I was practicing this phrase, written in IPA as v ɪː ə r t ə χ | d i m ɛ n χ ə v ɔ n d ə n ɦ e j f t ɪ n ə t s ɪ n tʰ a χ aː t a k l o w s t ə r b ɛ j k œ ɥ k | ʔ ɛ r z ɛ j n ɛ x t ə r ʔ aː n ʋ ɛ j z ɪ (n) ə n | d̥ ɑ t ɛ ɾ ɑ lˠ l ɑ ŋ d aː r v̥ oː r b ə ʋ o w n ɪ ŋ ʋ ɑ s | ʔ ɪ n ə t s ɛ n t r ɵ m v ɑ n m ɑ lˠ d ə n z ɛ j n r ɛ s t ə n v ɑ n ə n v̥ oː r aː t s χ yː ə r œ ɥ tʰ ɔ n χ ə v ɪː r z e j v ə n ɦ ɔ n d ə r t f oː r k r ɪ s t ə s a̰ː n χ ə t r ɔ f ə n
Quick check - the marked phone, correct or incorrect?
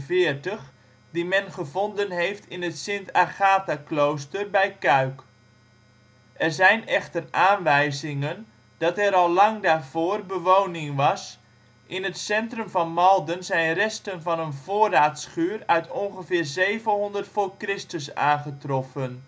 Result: incorrect